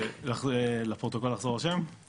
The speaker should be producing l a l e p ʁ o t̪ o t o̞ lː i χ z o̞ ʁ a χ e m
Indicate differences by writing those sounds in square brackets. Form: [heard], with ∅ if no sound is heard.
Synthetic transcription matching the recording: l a l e p ʁ o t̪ o [k] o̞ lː [a] χ z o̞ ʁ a [ʃ] e m